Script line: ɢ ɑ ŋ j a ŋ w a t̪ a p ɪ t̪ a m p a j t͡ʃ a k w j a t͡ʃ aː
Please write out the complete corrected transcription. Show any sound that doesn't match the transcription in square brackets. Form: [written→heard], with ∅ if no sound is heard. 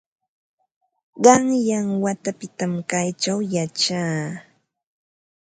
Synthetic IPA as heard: ɢ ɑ ŋ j a ŋ w a t̪ a p ɪ t̪ a m [p→k] a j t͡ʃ a [k→∅] w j a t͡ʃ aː

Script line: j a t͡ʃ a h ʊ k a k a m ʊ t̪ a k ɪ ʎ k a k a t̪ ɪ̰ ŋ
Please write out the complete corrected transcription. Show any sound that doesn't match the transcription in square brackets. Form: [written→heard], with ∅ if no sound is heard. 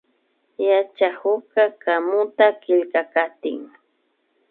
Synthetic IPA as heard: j a t͡ʃ a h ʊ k a k a m ʊ t̪ a k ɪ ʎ k a k a t̪ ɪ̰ ŋ

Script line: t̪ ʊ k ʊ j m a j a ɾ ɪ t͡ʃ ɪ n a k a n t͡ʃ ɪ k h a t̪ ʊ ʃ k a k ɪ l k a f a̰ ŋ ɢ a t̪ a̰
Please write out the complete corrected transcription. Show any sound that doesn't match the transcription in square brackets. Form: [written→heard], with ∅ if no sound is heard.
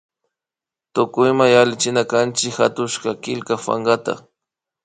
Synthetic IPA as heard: t̪ ʊ k ʊ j m a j a [ɾ→l] ɪ t͡ʃ ɪ n a k a n t͡ʃ ɪ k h a t̪ ʊ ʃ k a k ɪ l k a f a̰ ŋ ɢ a t̪ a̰

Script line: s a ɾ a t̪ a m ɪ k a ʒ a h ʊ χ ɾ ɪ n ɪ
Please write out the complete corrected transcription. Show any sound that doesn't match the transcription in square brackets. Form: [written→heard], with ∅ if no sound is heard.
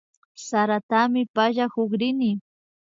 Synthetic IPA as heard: s a ɾ a t̪ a m ɪ [k→p] a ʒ a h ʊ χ ɾ ɪ n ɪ

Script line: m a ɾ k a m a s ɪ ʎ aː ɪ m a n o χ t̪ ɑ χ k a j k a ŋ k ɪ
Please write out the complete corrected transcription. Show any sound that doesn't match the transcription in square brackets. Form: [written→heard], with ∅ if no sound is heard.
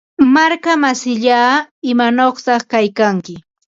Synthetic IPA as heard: m a ɾ k a m a s ɪ ʎ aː ɪ m a n o χ t̪ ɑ χ k a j k a ŋ k ɪ

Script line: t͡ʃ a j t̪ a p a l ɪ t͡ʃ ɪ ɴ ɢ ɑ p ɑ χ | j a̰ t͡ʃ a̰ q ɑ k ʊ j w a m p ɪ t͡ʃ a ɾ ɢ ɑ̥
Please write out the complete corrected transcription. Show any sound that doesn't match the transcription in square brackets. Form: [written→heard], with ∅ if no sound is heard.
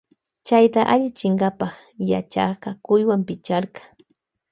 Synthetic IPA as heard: t͡ʃ a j t̪ a [p→ʔ] a [l→ʎ] ɪ t͡ʃ ɪ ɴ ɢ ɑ p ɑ χ | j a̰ t͡ʃ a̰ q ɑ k ʊ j w a m p ɪ t͡ʃ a ɾ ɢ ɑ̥

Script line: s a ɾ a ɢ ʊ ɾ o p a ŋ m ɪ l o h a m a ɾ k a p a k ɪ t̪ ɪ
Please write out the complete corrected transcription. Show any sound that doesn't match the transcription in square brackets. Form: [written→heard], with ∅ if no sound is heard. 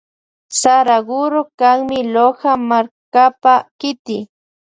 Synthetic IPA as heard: s a ɾ a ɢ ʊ ɾ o [p→k] a ŋ m ɪ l o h a m a ɾ k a p a k ɪ t̪ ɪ

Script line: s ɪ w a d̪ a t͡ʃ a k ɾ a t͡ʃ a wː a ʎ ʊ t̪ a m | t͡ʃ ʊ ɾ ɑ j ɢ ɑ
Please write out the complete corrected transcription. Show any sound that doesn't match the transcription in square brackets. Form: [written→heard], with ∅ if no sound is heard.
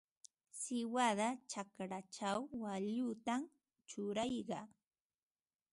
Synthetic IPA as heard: s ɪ w a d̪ a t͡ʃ a k ɾ a t͡ʃ a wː a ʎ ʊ t̪ a m | t͡ʃ ʊ ɾ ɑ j ɢ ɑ

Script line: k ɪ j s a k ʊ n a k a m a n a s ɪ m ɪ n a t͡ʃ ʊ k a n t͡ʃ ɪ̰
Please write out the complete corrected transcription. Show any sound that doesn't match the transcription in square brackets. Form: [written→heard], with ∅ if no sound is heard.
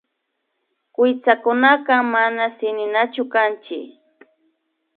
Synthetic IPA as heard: k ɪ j [s→t͡s] a k ʊ n a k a m a n a s ɪ [m→n] ɪ n a t͡ʃ ʊ k a n t͡ʃ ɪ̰

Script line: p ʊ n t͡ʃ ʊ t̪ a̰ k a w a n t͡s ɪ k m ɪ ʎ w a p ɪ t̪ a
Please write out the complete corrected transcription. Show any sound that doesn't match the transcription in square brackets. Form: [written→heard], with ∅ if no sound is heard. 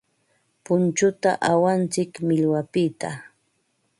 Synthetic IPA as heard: p ʊ n t͡ʃ ʊ t̪ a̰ [k→ʔ] a w a n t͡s ɪ k m ɪ ʎ w a p ɪ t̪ a

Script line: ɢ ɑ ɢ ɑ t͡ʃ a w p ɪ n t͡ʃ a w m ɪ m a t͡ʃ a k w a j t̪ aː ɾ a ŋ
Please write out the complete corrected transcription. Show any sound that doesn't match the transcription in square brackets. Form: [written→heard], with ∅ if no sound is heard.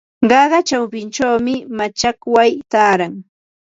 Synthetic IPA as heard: ɢ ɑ ɢ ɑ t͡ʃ a w p ɪ n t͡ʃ a w m ɪ m a t͡ʃ a k w a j t̪ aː ɾ a ŋ

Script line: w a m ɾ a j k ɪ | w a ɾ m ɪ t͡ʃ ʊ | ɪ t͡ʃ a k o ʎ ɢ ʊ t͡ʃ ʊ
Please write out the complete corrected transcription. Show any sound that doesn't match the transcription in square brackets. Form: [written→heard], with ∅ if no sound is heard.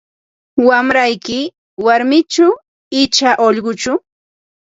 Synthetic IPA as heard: w a m ɾ a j k ɪ | w a ɾ m ɪ t͡ʃ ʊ | ɪ t͡ʃ a [k→ʔ] o ʎ ɢ ʊ t͡ʃ ʊ

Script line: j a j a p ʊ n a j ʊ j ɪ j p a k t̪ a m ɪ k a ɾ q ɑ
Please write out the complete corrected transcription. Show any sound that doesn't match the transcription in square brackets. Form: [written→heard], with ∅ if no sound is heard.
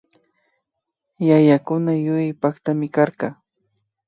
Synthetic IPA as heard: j a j a [p→k] ʊ n a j ʊ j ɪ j p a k t̪ a m ɪ k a ɾ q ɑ

